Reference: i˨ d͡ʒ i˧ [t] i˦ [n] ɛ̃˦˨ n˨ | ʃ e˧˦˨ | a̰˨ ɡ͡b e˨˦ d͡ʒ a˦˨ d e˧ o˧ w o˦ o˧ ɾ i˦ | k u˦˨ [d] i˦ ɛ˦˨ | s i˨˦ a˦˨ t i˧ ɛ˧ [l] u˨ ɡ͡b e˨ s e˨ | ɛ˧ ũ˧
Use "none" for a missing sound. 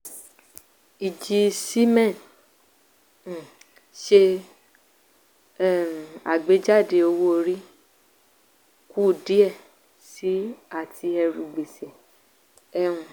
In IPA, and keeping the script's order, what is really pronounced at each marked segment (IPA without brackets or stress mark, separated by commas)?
s, m, d, ɾ